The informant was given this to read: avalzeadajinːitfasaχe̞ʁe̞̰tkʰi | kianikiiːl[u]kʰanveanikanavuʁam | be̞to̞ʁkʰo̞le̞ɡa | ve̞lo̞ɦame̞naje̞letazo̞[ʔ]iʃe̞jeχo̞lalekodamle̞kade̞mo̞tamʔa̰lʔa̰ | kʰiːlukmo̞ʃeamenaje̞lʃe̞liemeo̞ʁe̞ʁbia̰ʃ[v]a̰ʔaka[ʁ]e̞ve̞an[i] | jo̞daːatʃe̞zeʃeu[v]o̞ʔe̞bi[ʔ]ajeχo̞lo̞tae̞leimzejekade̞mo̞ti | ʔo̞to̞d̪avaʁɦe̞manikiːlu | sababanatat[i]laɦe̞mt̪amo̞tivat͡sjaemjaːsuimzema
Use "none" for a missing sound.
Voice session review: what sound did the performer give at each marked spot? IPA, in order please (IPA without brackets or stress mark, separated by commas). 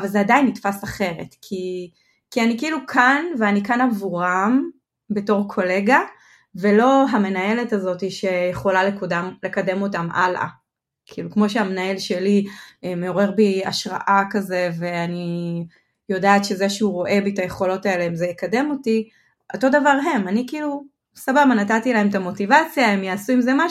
u, t, ʁ, z, i, ʁ, t, i